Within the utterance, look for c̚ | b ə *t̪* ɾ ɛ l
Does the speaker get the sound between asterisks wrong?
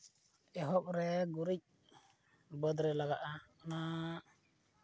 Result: yes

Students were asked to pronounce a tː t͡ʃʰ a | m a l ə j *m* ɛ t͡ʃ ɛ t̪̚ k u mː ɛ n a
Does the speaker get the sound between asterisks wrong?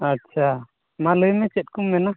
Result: no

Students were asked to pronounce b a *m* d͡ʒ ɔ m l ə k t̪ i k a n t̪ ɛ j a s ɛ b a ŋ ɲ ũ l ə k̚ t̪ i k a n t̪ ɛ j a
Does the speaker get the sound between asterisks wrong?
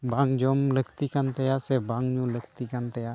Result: yes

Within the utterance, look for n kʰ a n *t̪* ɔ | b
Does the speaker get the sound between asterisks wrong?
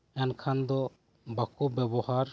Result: yes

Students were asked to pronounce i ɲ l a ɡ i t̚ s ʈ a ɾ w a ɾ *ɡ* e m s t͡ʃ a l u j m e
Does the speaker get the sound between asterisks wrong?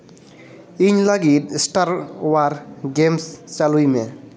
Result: no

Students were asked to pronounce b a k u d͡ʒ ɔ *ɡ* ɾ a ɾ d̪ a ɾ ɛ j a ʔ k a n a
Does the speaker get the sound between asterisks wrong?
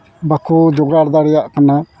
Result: no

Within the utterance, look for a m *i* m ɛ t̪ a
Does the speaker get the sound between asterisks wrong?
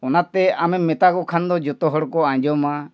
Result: yes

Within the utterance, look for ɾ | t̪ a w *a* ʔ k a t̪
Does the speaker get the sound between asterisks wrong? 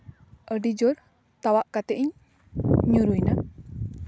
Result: no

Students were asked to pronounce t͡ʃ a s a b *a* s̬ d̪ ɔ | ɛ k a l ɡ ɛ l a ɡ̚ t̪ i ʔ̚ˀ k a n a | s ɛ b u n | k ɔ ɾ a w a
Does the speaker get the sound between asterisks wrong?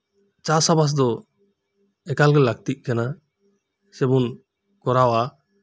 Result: no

